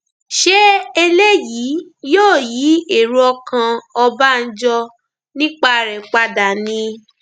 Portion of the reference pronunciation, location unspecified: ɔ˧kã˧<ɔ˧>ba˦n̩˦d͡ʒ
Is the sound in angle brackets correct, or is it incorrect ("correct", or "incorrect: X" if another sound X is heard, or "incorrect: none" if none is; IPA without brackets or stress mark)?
correct